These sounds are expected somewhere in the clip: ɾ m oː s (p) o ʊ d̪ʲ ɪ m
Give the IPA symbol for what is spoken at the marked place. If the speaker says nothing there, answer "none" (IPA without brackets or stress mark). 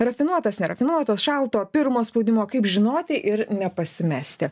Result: p